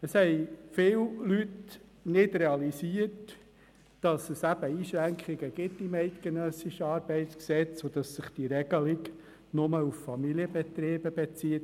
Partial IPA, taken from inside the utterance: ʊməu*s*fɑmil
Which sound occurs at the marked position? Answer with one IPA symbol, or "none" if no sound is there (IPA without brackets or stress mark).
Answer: f